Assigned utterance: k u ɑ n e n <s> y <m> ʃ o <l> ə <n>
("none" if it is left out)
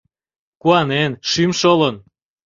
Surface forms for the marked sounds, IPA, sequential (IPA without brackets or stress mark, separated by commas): ʃ, m, l, n